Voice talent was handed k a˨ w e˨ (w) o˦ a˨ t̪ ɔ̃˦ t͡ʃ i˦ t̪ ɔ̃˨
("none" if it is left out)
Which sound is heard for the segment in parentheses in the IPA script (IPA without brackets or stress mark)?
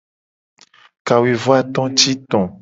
v